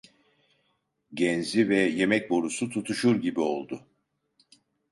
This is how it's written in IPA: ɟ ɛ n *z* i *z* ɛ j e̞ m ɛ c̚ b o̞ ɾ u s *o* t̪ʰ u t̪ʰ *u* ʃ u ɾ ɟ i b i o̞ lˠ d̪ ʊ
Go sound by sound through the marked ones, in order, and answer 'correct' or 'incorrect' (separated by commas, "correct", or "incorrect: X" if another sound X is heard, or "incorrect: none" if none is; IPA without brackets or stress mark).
correct, incorrect: v, incorrect: u, correct